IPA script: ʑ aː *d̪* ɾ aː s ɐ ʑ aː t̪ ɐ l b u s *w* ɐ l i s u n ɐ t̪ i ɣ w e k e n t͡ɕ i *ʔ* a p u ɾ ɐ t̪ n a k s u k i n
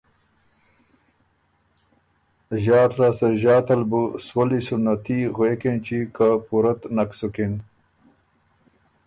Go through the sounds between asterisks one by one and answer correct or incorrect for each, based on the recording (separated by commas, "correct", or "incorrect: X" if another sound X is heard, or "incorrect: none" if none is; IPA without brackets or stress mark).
incorrect: t̪, correct, incorrect: k